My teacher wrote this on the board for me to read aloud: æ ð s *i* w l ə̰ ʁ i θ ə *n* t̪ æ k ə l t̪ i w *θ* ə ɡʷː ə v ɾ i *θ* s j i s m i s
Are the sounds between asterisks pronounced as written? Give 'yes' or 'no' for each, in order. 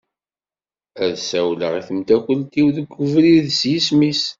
no, no, no, no

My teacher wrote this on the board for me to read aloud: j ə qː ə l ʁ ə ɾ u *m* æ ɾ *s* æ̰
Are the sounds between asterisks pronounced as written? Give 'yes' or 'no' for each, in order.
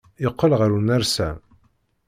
no, yes

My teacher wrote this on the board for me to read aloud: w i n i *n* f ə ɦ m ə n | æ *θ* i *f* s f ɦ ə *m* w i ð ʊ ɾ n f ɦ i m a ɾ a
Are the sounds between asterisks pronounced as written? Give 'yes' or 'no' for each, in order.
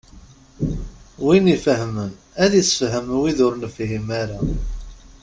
no, no, no, yes

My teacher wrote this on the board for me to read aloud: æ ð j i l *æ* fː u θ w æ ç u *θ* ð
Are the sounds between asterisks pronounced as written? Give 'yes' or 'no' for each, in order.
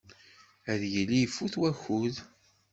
no, no

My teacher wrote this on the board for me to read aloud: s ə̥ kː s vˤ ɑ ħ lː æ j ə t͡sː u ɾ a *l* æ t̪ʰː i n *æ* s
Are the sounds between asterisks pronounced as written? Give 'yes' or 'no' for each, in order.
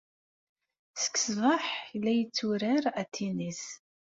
no, no

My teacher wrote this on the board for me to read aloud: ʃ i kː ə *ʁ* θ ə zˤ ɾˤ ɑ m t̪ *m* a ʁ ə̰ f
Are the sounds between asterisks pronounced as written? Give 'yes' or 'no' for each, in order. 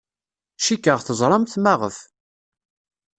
yes, yes

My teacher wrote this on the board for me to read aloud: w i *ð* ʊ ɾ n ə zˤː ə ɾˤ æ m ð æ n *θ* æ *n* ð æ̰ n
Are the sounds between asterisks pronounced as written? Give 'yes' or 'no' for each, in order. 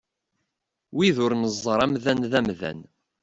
yes, no, no

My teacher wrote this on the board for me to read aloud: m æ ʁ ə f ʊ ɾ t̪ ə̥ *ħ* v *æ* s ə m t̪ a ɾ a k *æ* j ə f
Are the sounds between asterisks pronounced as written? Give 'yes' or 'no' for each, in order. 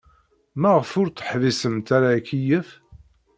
yes, no, no

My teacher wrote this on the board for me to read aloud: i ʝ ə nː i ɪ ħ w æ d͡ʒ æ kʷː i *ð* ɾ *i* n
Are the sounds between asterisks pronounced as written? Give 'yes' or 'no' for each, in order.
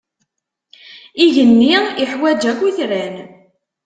no, no

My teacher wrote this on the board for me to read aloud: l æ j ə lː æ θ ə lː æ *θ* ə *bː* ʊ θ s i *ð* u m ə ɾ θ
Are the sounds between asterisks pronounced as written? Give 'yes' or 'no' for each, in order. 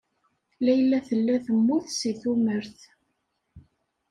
yes, no, no

